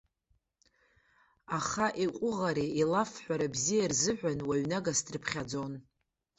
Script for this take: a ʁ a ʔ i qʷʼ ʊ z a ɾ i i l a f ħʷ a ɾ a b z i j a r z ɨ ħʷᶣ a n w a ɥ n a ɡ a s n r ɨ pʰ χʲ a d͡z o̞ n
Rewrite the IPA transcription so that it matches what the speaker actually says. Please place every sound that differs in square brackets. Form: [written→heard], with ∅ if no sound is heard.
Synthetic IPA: a [ʁ→χ] a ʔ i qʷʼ ʊ [z→ʁ] a ɾ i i l a f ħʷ a ɾ a b z i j a r z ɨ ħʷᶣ a n w a ɥ n a ɡ a s [n→d] r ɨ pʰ χʲ a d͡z o̞ n